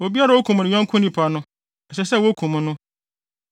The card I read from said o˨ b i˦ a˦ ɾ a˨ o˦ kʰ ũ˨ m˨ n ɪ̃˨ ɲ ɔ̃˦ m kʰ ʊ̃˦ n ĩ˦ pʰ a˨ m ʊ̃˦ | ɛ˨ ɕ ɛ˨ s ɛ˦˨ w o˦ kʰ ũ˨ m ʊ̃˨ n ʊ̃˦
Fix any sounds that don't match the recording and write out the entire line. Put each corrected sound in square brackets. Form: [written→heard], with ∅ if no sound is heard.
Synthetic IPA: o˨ b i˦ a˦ ɾ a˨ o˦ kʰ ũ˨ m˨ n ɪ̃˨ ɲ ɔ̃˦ [m→ŋ] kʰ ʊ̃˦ n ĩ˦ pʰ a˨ [m→n] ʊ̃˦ | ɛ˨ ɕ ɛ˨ s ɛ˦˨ w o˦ kʰ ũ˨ m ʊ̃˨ n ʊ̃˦

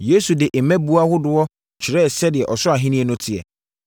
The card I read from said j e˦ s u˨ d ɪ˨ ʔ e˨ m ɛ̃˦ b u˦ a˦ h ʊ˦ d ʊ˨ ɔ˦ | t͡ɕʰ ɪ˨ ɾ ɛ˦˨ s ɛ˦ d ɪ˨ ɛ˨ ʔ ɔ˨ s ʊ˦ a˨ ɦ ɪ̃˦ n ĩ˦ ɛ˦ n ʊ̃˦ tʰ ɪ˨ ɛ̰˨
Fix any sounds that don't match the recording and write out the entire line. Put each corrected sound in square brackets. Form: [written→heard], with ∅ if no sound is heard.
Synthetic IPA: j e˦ s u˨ d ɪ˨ ʔ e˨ m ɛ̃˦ b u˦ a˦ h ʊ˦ d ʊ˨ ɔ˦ | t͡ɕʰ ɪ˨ ɾ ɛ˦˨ s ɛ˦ d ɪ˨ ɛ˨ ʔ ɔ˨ s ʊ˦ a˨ ɦ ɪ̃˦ n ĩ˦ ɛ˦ n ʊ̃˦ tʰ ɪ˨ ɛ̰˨

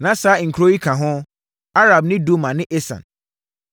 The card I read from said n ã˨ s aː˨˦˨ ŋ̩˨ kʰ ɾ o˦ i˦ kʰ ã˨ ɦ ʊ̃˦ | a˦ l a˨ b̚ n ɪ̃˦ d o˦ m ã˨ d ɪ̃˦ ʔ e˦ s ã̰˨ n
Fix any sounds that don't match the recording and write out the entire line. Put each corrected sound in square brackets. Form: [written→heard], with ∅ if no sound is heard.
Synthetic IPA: n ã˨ s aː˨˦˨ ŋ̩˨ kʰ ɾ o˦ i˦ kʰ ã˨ ɦ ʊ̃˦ | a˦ [l→ɾ] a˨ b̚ n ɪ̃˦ d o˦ m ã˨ [d→n] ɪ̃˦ ʔ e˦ s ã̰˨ n

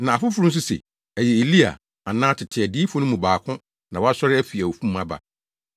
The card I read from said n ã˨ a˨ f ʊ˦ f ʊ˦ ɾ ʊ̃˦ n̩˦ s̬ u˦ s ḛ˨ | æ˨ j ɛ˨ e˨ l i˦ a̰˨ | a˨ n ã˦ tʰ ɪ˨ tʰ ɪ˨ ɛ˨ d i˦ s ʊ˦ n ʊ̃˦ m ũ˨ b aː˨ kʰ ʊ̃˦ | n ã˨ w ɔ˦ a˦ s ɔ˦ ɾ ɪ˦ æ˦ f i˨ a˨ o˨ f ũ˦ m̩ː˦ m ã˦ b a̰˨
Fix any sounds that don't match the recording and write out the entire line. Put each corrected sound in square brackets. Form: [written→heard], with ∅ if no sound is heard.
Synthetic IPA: n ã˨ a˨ f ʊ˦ f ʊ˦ ɾ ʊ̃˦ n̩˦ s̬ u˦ s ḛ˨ | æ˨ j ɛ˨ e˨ l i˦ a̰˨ | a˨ n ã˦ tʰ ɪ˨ tʰ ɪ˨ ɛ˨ d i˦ [s→f] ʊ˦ n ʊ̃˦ m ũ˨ b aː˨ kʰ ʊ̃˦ | n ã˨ w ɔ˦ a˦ s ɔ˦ ɾ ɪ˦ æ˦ f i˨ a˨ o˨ f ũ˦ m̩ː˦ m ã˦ b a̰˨

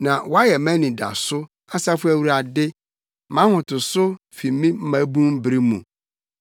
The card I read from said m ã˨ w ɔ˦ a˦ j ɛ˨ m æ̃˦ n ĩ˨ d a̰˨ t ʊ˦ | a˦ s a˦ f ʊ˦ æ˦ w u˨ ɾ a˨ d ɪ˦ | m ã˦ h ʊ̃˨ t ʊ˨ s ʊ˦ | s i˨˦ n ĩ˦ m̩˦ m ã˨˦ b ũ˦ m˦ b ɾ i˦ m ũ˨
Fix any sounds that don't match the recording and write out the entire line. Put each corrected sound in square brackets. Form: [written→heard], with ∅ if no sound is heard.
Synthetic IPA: [m→n] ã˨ w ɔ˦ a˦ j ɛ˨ m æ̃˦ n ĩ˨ d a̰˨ [t→s] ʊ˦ | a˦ s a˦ f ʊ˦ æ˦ w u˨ ɾ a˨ d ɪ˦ | m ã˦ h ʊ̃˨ t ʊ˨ s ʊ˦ | [s→f] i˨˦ [n→m] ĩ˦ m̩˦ m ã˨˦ b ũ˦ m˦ b ɾ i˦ m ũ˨

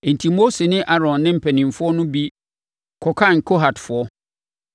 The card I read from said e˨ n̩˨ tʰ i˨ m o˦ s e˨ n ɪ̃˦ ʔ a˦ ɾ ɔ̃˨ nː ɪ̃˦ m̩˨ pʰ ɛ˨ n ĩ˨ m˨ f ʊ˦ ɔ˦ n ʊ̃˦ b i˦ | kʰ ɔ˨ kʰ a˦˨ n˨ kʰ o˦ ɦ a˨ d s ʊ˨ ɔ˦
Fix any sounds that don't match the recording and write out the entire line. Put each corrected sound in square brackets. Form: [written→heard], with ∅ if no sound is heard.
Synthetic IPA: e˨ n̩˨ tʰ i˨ m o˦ s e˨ n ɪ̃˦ ʔ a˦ ɾ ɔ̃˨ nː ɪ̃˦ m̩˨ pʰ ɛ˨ n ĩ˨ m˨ f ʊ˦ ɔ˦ n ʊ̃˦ b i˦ | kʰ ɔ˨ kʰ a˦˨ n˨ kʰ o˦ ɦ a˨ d [s→f] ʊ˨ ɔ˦

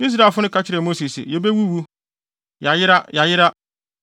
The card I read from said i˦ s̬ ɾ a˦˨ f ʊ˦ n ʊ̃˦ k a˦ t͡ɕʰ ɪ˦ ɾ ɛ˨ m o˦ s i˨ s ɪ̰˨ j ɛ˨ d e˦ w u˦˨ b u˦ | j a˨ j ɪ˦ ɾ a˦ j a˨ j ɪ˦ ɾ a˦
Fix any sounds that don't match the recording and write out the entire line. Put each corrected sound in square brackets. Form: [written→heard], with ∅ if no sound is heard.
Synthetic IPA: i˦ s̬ ɾ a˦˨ f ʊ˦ n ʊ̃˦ k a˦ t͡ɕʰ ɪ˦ ɾ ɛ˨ m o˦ s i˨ s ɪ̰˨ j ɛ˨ [d→b] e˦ w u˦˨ [b→w] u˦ | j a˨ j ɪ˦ ɾ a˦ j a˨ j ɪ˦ ɾ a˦

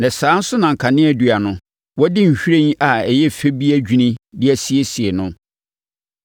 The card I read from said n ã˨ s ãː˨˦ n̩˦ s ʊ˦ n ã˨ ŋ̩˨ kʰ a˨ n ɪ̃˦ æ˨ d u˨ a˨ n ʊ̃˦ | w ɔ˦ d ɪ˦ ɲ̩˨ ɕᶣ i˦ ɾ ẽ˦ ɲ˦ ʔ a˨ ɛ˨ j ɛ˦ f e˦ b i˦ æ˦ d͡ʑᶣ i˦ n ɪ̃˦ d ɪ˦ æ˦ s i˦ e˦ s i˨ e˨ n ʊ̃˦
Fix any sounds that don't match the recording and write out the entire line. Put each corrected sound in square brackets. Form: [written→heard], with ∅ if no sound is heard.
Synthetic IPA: n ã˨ s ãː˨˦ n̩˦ s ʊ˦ n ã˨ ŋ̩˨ kʰ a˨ n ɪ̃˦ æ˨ d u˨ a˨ n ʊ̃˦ | w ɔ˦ d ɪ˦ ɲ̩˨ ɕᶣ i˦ ɾ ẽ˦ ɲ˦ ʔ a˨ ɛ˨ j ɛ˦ f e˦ b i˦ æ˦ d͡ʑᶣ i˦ n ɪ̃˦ d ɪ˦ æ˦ s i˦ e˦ s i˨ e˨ n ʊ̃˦

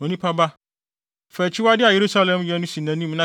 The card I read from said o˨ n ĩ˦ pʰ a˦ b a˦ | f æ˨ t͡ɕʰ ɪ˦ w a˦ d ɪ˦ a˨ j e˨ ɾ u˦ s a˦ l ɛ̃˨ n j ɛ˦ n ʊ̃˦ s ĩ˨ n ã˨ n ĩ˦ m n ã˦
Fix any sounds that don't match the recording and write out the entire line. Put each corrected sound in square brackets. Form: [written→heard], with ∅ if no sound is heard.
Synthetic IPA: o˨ n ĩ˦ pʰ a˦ b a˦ | f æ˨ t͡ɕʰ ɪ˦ w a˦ d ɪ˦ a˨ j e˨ ɾ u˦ s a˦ l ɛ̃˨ [n→m] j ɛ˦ n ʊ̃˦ s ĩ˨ n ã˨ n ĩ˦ m n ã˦

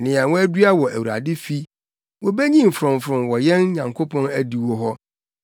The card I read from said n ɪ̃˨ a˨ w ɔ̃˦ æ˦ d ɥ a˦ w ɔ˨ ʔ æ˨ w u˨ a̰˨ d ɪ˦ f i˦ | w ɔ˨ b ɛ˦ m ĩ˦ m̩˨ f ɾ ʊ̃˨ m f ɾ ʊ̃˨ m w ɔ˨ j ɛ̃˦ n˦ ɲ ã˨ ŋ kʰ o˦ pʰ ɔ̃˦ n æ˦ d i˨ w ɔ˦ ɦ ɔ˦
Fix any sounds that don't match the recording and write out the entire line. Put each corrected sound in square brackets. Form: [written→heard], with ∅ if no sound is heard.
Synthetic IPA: n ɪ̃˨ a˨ w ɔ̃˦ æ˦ d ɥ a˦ w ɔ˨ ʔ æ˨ w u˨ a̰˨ d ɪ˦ f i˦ | w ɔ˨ b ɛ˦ [m→ɲ] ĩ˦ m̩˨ f ɾ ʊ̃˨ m f ɾ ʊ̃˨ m w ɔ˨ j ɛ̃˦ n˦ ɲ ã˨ ŋ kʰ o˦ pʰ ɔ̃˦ n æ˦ d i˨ w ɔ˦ ɦ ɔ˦

